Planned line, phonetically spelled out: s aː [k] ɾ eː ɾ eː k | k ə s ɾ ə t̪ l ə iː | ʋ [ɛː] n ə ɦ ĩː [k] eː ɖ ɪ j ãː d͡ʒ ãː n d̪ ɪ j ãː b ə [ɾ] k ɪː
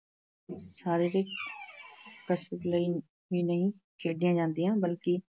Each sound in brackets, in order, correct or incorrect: incorrect: none, incorrect: iː, incorrect: kʰ, incorrect: l

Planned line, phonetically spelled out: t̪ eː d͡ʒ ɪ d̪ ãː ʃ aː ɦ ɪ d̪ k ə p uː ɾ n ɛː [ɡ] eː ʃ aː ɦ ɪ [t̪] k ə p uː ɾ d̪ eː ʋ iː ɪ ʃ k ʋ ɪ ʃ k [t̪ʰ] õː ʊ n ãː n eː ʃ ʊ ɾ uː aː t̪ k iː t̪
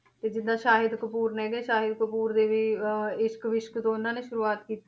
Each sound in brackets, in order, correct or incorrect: correct, incorrect: d̪, incorrect: t̪

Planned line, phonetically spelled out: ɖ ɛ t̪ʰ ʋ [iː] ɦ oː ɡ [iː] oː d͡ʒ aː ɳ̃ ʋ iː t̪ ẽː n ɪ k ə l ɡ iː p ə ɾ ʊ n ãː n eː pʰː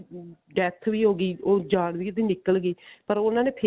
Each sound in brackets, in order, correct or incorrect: correct, correct

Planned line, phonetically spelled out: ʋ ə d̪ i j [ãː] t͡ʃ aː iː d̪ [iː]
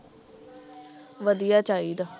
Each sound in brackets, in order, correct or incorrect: incorrect: aː, incorrect: aː

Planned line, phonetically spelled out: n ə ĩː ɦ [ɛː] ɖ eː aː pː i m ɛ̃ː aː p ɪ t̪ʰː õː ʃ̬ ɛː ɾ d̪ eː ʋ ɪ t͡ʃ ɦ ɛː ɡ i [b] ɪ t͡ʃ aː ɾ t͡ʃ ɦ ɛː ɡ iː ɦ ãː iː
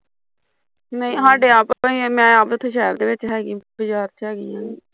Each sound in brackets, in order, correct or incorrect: incorrect: aː, correct

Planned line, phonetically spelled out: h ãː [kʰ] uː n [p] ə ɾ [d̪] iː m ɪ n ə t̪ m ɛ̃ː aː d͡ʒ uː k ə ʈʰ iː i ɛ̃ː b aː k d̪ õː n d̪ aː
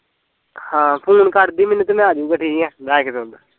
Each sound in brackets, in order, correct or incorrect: incorrect: pʰ, incorrect: k, correct

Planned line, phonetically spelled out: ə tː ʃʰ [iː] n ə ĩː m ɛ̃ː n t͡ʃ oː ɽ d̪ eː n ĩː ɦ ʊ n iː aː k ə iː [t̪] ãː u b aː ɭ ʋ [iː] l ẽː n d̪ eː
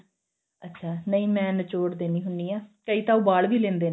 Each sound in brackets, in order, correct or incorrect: incorrect: aː, correct, correct

